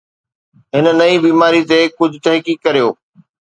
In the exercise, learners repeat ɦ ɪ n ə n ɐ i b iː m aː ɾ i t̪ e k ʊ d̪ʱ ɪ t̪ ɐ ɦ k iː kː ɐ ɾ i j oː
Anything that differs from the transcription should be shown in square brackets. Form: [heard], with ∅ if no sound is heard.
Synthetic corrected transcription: ɦ ɪ n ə n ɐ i b iː m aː ɾ i t̪ e k ʊ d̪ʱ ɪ t̪ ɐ ɦ k iː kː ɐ ɾ i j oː

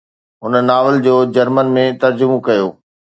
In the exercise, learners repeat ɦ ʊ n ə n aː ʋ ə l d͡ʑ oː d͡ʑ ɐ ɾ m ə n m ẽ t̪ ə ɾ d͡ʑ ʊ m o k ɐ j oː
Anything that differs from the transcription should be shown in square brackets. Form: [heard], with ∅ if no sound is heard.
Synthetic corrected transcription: ɦ ʊ n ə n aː ʋ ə l d͡ʑ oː d͡ʑ ɐ ɾ m ə n m ẽ t̪ [ɐ] ɾ d͡ʑ ʊ m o k ɐ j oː

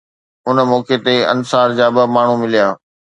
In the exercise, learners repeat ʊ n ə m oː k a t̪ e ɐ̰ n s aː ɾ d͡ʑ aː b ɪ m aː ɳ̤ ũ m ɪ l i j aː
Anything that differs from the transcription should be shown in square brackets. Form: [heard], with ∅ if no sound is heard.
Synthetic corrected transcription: ʊ n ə m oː k [e] t̪ e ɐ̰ n s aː ɾ d͡ʑ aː b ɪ m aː ɳ̤ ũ m ɪ l i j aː

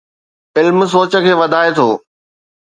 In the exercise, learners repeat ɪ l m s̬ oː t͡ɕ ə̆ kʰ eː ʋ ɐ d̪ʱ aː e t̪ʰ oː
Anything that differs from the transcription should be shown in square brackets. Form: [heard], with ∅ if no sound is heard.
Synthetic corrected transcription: ɪ l m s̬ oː t͡ɕ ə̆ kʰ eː ʋ ɐ d̪ʱ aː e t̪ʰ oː

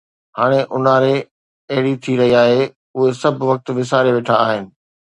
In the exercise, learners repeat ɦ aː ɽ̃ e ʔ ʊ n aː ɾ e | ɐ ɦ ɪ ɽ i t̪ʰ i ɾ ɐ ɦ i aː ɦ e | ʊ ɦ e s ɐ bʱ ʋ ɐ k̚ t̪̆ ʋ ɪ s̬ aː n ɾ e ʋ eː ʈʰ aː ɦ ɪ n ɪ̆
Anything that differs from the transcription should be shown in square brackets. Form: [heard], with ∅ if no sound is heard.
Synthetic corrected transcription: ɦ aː ɽ̃ e ʔ ʊ n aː ɾ e | ɐ ɦ ɪ ɽ i t̪ʰ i ɾ ɐ ɦ i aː ɦ e | ʊ ɦ e s ɐ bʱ ʋ ɐ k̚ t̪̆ ʋ ɪ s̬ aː [∅] ɾ e ʋ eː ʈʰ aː ɦ ɪ n ɪ̆

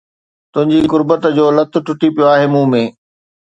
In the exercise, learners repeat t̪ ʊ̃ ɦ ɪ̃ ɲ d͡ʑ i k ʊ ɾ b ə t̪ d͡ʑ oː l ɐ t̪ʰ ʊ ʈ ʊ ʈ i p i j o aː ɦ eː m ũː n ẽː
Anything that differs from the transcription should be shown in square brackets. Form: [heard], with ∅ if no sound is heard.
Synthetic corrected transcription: t̪ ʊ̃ ɦ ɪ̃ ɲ d͡ʑ i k ʊ ɾ b ə t̪ d͡ʑ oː l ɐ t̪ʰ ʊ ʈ ʊ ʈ i p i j o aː ɦ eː m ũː [m] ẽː

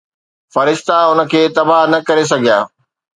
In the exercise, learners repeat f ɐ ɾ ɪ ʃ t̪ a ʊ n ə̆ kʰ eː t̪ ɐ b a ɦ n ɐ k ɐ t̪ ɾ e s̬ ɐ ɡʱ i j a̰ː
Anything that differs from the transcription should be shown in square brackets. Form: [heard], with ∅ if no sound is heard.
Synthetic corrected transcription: f ɐ ɾ ɪ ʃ t̪ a ʊ n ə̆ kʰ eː t̪ ɐ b a ɦ n ɐ k ɐ [∅] ɾ e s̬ ɐ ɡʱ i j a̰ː

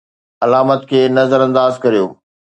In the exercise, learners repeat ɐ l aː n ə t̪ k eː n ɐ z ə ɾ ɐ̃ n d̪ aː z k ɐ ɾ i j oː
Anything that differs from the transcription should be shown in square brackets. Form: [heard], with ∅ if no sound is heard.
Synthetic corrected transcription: ɐ l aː [m] ə t̪ [kʰ] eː n ɐ z ə ɾ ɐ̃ n d̪ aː z k ɐ ɾ i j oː

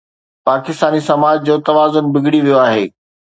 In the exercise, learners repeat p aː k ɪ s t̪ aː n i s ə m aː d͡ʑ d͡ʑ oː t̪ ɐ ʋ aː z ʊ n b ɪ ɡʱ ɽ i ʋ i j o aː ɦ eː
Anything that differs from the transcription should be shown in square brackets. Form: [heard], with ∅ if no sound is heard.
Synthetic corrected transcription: p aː k ɪ s t̪ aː n i s [ɐ] m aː d͡ʑ d͡ʑ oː t̪ ɐ ʋ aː z ʊ n b ɪ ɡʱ ɽ i ʋ i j o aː ɦ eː

